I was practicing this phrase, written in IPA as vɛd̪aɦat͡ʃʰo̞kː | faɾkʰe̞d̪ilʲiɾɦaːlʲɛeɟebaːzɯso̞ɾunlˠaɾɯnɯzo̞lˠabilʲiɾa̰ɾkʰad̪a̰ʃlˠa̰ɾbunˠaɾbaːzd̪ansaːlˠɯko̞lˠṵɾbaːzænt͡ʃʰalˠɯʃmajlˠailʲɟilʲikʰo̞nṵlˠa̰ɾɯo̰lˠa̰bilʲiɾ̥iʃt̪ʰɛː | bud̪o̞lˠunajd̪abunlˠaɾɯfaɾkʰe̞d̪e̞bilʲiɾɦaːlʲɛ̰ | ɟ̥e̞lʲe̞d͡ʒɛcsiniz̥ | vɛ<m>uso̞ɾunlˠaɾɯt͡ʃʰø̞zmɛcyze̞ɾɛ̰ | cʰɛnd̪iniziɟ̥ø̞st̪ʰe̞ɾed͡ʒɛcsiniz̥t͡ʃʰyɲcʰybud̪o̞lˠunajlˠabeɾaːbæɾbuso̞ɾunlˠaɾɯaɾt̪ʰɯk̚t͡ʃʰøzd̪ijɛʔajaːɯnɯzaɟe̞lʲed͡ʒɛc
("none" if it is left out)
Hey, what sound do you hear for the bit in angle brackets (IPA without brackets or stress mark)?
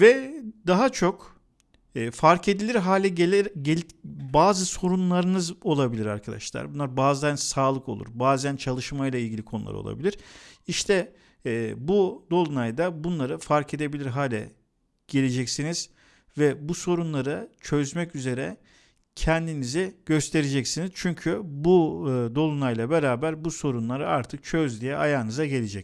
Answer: b